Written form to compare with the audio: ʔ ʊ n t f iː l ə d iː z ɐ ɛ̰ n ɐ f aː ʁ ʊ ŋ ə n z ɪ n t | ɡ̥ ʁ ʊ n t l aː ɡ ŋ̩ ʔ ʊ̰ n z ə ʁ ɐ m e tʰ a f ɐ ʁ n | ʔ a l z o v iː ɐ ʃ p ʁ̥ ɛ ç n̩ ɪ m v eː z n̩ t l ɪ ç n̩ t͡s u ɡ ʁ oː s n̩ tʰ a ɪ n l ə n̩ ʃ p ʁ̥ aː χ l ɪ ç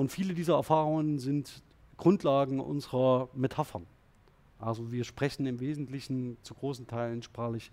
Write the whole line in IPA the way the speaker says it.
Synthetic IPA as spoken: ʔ ʊ n t f iː l ə d iː z ɐ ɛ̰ ɐ f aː ʁ ʊ ŋ ə n z ɪ n t | ɡ̥ ʁ ʊ n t l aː ɡ ŋ̩ ʔ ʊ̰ n z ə ʁ ɐ m e tʰ a f ɐ n | ʔ a l z o v iː ɐ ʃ p ʁ̥ ɛ ç n̩ ɪ m v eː z n̩ t l ɪ ç n̩ t͡s u ɡ ʁ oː s n̩ tʰ a ɪ l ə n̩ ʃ p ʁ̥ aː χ l ɪ ç